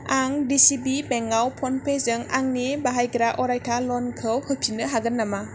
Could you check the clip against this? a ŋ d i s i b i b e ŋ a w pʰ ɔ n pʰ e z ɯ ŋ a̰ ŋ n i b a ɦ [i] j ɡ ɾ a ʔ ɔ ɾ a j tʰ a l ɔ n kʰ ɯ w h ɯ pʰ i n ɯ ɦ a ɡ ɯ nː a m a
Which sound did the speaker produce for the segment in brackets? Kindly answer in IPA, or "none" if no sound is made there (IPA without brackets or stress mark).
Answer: a